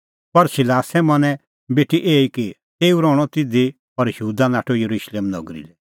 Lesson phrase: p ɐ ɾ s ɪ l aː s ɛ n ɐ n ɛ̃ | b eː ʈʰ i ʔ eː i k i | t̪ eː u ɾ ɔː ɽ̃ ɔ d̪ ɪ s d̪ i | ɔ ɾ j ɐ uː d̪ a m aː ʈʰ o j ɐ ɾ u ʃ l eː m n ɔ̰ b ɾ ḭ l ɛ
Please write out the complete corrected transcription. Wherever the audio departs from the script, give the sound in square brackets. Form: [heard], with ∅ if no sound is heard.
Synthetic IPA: p ɐ ɾ s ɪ l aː s ɛ [m] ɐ n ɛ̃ | b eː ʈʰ i ʔ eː i k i | t̪ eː u ɾ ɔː ɽ̃ ɔ [t̪] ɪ [∅] d̪ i | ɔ ɾ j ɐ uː d̪ a [n] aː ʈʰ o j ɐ ɾ u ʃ l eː m n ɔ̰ [ɡ] ɾ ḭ l ɛ